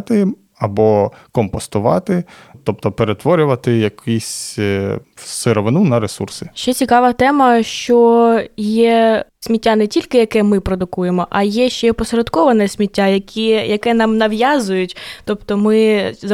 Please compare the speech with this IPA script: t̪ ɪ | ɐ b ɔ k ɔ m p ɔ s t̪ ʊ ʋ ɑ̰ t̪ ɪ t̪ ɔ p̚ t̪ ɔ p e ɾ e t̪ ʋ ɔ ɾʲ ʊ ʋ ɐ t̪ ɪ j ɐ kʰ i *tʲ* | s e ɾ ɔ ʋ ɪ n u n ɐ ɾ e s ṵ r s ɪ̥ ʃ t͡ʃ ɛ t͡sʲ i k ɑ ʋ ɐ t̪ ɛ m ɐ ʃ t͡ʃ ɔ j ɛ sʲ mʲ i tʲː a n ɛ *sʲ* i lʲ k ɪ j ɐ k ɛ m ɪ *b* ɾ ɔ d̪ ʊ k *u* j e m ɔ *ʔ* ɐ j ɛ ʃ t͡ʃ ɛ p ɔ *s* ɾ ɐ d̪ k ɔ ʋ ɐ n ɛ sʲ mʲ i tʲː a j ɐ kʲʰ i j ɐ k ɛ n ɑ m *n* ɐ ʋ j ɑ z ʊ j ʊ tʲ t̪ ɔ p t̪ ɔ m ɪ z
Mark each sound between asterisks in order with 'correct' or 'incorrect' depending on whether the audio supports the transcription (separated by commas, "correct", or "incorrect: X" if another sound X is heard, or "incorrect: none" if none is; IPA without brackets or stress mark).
incorrect: sʲ, incorrect: tʲ, incorrect: p, correct, correct, correct, correct